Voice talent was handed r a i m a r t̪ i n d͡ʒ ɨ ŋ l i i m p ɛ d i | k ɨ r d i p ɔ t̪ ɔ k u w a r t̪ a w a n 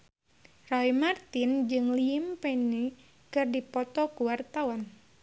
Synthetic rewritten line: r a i m a r t̪ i n d͡ʒ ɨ ŋ l i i m p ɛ n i | k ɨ r d i p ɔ t̪ ɔ k u w a r t̪ a w a n